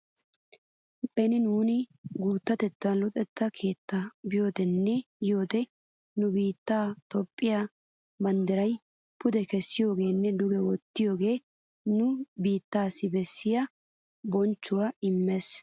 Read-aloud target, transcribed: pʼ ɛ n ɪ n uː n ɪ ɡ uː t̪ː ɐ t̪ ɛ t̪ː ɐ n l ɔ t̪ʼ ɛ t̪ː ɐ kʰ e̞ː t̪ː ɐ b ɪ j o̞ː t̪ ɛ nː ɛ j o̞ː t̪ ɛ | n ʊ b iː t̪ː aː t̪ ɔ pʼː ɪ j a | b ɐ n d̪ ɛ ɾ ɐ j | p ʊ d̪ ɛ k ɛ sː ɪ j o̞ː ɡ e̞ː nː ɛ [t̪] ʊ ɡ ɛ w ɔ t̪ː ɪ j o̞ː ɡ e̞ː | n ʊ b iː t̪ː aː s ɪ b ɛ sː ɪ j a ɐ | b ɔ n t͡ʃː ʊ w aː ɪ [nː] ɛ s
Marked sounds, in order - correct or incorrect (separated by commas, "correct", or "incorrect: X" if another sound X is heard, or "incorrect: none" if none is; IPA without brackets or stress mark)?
incorrect: d̪, incorrect: mː